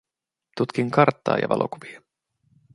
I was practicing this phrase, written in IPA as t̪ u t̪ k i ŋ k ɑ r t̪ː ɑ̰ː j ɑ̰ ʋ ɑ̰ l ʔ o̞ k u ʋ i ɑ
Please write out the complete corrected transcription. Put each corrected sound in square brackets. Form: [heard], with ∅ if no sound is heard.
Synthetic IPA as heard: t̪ u t̪ k i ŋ k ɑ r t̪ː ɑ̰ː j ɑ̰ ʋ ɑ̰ l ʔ o̞ k u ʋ i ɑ